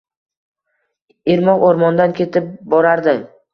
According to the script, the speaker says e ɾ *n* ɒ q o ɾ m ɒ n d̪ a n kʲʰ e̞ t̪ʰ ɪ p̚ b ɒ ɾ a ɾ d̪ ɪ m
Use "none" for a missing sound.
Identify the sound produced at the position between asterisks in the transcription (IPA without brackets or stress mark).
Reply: m